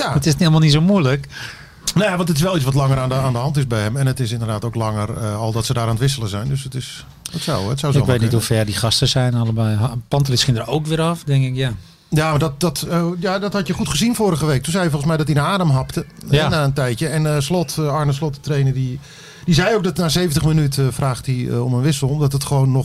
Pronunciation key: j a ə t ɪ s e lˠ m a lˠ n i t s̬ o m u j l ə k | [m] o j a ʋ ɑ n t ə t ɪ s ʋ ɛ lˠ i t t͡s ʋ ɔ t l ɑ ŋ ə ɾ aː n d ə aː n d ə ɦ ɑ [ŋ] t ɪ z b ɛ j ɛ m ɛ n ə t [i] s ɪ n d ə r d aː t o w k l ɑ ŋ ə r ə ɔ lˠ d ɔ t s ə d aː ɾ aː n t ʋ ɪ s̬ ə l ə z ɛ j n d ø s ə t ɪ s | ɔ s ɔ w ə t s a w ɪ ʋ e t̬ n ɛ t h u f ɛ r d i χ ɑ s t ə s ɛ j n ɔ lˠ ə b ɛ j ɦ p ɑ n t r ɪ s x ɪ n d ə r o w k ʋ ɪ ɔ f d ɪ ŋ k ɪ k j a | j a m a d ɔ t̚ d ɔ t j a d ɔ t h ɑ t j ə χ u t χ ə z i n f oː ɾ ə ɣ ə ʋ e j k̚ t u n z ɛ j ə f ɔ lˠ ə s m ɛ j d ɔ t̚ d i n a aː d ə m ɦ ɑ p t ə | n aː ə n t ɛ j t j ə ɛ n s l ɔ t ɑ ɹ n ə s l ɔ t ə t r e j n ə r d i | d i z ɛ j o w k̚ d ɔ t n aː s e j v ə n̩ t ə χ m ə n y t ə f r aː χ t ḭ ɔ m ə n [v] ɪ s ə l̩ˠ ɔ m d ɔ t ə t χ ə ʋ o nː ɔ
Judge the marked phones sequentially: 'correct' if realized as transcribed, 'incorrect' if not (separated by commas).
incorrect, incorrect, incorrect, incorrect